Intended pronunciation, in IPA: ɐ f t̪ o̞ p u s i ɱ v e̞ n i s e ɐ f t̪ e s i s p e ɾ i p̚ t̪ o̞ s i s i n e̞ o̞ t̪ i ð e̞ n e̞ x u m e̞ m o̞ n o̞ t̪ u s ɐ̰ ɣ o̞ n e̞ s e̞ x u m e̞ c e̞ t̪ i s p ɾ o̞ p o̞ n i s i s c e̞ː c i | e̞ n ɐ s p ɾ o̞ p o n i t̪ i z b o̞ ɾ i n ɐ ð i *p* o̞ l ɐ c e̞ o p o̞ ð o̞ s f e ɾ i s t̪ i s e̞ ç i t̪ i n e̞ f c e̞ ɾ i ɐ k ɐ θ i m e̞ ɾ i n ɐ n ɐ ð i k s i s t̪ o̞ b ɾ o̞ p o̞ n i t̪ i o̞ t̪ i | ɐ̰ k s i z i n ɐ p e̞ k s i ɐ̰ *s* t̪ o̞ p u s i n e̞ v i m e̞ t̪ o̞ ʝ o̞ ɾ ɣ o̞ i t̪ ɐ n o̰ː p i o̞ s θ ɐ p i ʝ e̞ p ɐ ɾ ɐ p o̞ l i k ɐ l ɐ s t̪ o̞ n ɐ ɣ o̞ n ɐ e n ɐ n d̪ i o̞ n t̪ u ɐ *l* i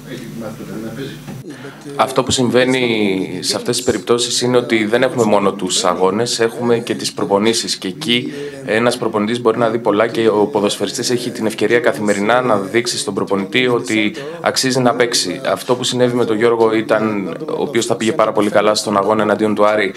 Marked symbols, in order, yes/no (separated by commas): yes, no, no